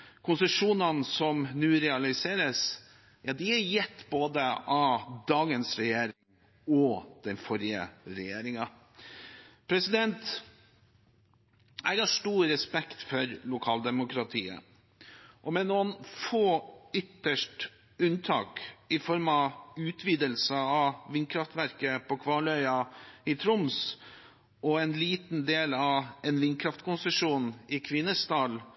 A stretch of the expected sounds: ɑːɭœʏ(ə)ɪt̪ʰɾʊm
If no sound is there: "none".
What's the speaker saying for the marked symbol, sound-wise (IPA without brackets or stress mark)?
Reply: ɑ